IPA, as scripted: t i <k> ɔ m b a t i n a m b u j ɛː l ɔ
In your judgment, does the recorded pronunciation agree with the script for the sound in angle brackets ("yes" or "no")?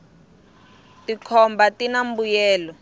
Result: no